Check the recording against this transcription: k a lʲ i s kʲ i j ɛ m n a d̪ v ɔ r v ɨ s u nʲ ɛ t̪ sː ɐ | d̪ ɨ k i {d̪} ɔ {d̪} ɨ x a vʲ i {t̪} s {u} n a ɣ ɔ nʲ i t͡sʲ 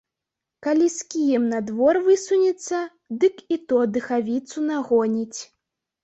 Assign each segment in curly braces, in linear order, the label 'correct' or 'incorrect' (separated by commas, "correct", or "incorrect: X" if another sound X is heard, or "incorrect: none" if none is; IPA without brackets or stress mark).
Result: incorrect: t̪, correct, correct, correct